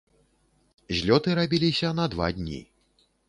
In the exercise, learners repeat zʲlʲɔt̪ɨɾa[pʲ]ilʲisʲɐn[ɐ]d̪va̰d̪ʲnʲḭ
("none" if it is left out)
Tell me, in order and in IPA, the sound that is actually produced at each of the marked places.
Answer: bʲ, ɐ

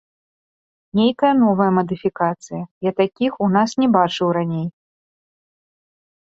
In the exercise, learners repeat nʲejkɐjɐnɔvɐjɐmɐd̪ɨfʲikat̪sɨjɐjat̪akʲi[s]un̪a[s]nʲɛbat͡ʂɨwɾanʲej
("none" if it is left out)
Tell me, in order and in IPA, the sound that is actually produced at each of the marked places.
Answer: x, s

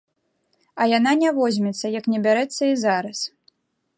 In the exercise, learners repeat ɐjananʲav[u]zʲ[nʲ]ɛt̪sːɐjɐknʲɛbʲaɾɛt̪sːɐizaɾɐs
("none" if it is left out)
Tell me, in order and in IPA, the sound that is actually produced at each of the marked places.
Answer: ɔ, mʲ

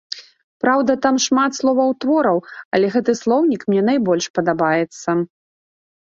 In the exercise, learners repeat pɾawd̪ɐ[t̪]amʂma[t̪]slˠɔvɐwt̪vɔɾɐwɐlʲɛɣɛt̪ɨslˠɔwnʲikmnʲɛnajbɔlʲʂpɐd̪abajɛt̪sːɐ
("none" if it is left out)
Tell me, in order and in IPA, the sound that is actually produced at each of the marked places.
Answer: t̪, t̪

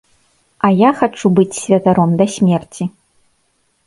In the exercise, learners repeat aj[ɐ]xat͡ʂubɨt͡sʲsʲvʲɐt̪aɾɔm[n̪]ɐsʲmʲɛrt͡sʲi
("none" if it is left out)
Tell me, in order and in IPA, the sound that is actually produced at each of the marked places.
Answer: a, d̪

